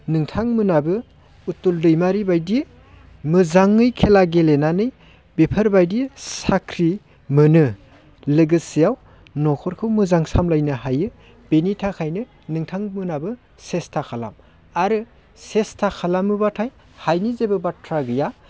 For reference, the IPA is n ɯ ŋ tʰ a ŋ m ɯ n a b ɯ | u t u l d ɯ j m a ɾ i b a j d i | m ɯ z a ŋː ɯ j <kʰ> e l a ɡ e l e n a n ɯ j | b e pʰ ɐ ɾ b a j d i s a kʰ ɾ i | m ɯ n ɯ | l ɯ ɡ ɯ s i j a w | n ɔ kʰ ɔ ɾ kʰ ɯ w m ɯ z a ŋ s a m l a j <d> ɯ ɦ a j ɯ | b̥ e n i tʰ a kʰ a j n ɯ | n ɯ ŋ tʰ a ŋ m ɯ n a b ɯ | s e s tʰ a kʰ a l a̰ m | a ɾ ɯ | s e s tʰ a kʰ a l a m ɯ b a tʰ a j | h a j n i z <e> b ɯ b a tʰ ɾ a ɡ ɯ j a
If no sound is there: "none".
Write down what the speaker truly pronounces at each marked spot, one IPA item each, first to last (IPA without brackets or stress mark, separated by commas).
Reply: kʰ, n, e